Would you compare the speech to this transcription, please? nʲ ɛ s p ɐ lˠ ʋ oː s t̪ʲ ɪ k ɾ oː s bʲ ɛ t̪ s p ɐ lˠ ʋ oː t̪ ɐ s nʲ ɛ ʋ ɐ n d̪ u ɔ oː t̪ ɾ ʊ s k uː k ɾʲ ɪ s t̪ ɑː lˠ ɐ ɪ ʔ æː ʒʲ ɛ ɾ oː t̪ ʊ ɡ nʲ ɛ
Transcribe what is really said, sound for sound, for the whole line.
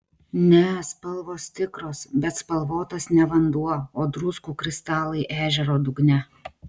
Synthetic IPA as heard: nʲ ɛ s p ɐ lˠ ʋ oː s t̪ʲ ɪ k ɾ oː s bʲ ɛ t̪ s p ɐ lˠ ʋ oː t̪ ɐ s nʲ ɛ ʋ ɐ n d̪ u ɔ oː d̪ ɾ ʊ s k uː k ɾʲ ɪ s t̪ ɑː lˠ ɐ ɪ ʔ æː ʒʲ ɛ ɾ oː d̪ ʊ ɡ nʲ ɛ